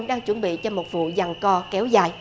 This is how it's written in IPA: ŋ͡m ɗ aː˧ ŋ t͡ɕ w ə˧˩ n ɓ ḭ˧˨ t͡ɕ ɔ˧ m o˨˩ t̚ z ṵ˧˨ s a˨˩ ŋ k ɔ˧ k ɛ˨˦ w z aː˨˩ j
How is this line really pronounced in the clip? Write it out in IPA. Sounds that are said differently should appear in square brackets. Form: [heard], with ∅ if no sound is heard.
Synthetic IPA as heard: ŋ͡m ɗ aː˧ ŋ t͡ɕ w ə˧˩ n ɓ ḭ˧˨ t͡ɕ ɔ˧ m o˨˩ t̚ [v] ṵ˧˨ [z] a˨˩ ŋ k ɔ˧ k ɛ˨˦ w z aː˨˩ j